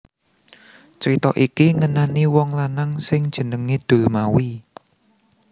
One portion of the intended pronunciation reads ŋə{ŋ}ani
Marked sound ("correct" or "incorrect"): incorrect